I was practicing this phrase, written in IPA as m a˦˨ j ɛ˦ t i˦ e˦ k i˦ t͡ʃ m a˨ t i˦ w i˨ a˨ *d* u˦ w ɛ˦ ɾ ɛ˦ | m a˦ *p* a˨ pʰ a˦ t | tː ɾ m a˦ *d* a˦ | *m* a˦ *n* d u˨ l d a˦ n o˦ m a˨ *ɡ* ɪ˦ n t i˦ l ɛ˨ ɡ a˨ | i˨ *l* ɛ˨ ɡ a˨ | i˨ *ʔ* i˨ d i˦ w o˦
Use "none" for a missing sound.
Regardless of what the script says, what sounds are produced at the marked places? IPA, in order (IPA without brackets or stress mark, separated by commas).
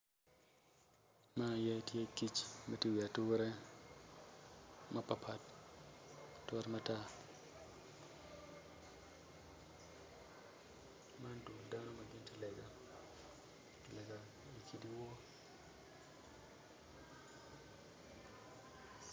t, p, t, m, n, ɡ, l, k